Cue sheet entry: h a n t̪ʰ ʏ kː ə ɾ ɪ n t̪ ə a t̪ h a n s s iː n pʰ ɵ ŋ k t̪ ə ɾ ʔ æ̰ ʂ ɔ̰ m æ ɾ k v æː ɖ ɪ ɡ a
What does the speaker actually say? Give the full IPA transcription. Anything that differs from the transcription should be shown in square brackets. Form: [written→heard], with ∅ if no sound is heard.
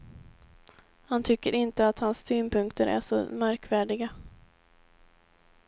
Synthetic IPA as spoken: h a n t̪ʰ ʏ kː ə ɾ ɪ n t̪ ə a t̪ h a n s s [iː→yː] n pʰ ɵ ŋ k t̪ ə ɾ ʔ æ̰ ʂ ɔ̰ m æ ɾ k v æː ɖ ɪ ɡ a